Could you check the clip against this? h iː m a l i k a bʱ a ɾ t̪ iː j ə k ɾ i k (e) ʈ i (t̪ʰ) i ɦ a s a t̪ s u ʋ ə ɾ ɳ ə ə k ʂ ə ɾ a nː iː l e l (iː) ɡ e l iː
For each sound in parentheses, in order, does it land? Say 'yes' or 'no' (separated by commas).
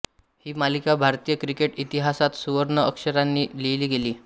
yes, no, yes